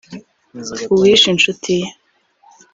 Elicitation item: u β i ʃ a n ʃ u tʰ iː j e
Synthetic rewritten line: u w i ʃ i n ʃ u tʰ i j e